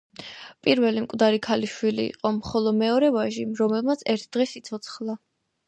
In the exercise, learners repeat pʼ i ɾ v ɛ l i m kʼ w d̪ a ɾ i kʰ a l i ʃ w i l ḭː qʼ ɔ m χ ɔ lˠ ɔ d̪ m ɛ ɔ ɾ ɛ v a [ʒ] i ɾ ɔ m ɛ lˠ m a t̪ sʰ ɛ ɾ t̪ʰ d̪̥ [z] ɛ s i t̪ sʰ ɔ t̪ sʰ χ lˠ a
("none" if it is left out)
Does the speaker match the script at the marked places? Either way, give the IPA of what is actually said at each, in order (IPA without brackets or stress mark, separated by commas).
ʒ, ʁ